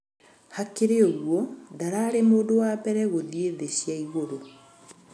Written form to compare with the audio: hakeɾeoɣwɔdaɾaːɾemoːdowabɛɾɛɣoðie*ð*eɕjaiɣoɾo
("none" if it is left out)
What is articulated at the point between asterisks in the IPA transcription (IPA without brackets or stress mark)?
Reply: ð